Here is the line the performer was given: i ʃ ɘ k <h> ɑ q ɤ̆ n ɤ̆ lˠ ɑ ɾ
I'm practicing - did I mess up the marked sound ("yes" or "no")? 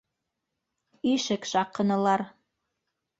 yes